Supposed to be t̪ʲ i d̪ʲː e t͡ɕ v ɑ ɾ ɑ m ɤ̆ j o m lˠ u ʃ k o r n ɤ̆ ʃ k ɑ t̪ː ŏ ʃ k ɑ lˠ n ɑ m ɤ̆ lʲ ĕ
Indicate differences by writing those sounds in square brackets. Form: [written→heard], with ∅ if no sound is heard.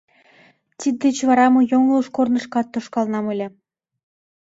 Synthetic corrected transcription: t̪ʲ i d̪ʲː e t͡ɕ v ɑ ɾ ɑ m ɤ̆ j o [m→ŋ] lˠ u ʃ k o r n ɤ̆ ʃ k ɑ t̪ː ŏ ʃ k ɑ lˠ n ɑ m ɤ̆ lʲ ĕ